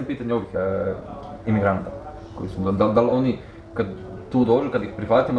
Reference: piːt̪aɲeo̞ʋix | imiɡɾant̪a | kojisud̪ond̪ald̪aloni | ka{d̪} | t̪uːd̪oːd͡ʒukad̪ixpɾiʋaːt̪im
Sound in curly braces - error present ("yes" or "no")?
no